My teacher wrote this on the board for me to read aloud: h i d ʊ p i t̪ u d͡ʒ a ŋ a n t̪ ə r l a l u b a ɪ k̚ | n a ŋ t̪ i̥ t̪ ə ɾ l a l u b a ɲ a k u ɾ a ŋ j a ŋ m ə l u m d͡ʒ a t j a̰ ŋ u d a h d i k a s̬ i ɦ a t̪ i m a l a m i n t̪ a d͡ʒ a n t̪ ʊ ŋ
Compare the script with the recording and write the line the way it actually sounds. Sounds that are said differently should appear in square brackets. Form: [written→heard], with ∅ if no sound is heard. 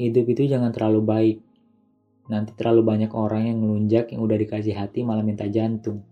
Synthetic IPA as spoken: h i d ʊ p i t̪ u d͡ʒ a ŋ a n t̪ ə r l a l u b a ɪ k̚ | n a [ŋ→n] t̪ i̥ t̪ ə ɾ l a l u b a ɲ a k [u→o] ɾ a ŋ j a ŋ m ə l u [m→ɲ] d͡ʒ a [t→k] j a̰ ŋ u d a h d i k a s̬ i ɦ a t̪ i m a l a m i n t̪ a d͡ʒ a n t̪ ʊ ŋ